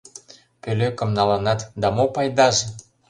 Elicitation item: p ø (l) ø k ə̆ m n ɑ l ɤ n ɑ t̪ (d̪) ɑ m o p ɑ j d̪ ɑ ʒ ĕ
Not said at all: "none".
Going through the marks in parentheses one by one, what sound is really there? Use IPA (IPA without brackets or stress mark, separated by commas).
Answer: l, d̪